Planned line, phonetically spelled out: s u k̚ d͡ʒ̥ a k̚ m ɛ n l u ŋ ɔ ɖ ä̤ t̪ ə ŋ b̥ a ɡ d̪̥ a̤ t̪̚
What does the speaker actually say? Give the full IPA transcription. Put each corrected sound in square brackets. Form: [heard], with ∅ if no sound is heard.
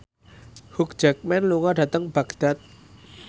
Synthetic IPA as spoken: [h] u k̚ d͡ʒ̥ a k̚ m ɛ n l u ŋ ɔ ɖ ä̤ t̪ ə ŋ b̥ a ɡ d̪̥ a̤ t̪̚